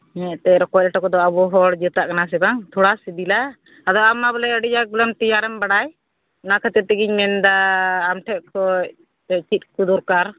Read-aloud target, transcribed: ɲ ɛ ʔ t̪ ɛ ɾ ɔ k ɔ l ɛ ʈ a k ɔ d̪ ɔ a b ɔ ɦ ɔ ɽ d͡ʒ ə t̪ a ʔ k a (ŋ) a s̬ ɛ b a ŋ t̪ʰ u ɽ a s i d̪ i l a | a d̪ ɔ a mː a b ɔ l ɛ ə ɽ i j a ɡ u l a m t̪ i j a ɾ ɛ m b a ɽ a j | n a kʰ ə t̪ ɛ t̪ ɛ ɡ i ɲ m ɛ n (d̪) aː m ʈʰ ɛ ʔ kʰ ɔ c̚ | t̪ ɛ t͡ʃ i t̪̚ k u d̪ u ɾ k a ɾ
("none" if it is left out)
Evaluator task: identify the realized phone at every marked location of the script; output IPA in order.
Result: n, d̪

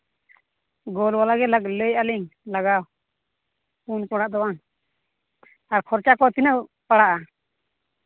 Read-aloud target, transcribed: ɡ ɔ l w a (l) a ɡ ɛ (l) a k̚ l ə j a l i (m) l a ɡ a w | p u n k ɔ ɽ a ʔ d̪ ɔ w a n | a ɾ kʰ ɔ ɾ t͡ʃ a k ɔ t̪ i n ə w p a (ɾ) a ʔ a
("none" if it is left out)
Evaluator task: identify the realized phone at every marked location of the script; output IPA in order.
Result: l, l, ŋ, ɽ

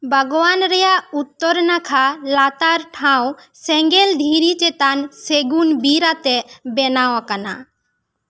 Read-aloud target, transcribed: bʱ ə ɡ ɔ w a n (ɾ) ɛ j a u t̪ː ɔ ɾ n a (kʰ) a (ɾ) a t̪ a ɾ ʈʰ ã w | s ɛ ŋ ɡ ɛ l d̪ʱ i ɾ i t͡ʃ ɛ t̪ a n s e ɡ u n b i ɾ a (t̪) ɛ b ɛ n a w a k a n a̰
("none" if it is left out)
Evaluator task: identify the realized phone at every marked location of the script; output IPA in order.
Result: ɾ, kʰ, l, t̪

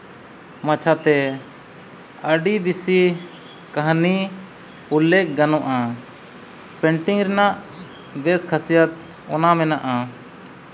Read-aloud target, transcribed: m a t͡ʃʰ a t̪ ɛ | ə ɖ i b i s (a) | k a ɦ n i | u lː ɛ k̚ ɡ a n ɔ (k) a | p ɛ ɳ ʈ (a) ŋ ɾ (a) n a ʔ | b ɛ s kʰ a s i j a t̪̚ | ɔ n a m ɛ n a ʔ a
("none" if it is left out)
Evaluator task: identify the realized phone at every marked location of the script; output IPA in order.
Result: i, ʔ, i, ɛ

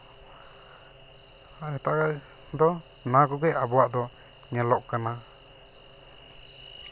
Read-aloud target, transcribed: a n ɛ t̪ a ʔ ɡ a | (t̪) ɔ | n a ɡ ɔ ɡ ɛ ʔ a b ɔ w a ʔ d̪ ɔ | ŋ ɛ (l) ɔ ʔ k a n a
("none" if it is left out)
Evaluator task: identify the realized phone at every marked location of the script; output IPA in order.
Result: d̪, l

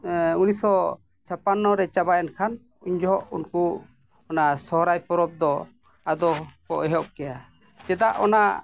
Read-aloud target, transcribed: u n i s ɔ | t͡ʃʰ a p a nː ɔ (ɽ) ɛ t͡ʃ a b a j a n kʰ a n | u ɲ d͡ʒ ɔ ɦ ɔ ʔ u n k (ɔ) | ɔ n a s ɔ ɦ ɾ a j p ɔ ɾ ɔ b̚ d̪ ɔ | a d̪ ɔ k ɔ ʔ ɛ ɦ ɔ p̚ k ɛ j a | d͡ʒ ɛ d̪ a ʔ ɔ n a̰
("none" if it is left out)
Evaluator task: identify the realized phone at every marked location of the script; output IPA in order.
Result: ɾ, u

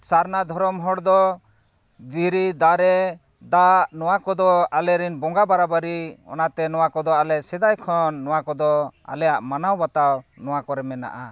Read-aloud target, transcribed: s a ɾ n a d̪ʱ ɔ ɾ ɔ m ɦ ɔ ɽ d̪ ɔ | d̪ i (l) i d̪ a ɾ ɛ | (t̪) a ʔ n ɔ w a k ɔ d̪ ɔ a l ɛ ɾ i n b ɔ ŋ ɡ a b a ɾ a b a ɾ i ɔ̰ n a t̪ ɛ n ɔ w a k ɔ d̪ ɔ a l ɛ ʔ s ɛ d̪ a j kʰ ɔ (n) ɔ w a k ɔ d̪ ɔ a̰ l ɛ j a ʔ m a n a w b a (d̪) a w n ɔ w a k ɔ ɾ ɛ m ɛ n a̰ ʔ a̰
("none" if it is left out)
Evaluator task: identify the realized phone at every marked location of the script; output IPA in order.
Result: ɾ, d̪, nː, t̪

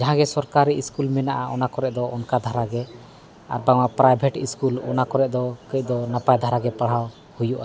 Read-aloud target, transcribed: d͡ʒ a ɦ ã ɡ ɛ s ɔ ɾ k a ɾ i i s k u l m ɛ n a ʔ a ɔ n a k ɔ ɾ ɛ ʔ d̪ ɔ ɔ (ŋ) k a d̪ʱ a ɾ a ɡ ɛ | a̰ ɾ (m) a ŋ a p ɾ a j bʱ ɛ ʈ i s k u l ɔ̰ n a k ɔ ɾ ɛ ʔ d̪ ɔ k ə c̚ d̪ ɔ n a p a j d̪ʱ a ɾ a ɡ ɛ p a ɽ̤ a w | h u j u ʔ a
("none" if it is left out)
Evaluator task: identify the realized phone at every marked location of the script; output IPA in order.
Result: n, b

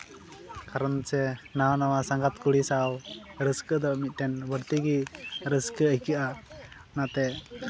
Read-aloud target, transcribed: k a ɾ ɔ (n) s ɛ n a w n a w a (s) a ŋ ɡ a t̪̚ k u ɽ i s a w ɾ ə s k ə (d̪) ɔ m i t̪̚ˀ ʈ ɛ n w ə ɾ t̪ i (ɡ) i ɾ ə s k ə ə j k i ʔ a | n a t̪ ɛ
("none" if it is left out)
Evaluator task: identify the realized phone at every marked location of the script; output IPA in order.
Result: n, s, d̪, ɡ

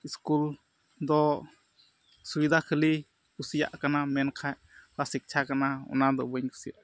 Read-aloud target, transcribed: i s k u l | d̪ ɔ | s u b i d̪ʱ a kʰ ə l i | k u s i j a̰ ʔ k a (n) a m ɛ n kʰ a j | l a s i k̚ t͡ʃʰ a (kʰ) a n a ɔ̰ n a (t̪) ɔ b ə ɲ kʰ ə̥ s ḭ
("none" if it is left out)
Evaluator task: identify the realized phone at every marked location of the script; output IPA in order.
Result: n, k, d̪

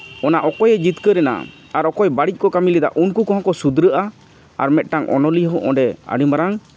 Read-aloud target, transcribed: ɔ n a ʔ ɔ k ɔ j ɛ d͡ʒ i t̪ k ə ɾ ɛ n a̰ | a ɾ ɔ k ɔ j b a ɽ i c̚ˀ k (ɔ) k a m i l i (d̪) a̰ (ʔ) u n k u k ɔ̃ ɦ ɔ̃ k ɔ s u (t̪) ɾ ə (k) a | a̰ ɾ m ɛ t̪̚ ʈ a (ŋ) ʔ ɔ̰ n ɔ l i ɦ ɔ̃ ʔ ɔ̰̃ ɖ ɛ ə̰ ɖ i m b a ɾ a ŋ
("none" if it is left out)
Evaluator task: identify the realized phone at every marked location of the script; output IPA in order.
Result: ɔ, d̪, ʔ, d̪, ʔ, ŋ

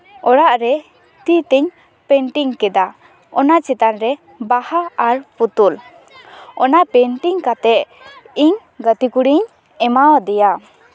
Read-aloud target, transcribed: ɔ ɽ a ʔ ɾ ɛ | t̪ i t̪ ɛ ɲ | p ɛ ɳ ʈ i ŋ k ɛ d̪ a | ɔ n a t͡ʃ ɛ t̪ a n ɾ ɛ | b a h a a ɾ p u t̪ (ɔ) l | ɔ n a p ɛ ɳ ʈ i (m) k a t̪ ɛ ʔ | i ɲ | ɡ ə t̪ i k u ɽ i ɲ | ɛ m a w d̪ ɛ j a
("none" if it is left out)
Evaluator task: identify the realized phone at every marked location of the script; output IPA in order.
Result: u, ŋ

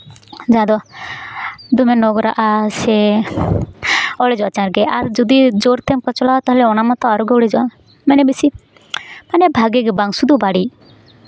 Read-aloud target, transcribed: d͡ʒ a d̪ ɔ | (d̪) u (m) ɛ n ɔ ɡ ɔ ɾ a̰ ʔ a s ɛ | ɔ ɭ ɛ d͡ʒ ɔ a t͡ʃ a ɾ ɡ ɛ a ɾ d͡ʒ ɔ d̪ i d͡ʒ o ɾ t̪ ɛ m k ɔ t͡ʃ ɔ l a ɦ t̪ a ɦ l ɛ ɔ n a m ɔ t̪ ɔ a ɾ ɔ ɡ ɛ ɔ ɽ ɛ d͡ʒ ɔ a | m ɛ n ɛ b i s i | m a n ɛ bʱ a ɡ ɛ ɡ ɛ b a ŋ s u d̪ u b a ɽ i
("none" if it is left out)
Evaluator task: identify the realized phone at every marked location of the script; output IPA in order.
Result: d̪, m

